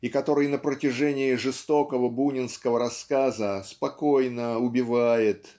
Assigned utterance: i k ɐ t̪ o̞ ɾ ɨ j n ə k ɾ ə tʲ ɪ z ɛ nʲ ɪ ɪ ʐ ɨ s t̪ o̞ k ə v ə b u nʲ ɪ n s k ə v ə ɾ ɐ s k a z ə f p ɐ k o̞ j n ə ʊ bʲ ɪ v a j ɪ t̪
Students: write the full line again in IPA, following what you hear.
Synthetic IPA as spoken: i k ɐ t̪ o̞ ɾ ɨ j n ə p ɾ ə tʲ ɪ ʐ ɛ nʲ ɪ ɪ ʐ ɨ s t̪ o̞ k ə v ə b u nʲ ɪ n s k ə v ə ɾ ɐ s k a z ə s p ɐ k o̞ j n ə ʊ bʲ ɪ v a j ɪ t̪